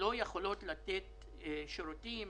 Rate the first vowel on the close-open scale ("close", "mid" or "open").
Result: mid